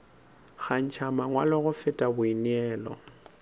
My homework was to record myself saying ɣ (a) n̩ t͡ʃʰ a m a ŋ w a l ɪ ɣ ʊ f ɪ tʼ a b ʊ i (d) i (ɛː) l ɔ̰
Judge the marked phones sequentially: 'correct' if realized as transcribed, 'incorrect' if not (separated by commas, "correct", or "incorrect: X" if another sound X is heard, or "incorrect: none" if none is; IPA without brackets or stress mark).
correct, incorrect: n, correct